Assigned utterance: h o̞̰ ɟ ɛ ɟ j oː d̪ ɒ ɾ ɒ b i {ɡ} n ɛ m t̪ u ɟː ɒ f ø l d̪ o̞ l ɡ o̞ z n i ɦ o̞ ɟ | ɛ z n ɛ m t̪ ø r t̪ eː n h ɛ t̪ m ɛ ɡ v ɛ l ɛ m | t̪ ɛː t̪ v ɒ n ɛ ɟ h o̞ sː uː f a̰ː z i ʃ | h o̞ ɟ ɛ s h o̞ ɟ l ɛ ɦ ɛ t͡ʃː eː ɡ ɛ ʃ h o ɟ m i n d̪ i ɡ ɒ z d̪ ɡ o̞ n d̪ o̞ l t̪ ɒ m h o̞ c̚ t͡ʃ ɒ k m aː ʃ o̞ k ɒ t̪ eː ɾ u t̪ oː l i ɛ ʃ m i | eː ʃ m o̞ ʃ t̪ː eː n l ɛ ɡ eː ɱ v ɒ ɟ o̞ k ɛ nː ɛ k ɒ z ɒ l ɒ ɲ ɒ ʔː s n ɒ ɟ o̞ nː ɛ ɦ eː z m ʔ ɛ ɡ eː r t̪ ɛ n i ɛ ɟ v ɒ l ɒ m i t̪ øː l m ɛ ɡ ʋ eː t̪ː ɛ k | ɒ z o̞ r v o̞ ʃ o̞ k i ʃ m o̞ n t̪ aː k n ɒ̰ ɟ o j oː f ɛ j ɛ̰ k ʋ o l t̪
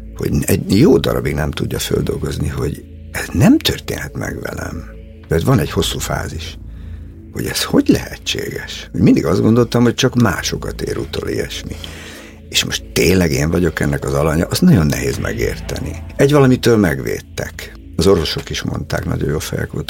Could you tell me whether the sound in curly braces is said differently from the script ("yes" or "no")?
no